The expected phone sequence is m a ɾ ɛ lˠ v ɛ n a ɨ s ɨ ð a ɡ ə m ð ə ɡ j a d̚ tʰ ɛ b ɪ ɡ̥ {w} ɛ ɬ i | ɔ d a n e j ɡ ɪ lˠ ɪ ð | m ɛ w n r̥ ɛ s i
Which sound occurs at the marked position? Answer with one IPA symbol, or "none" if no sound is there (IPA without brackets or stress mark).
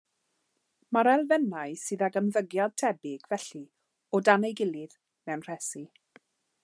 v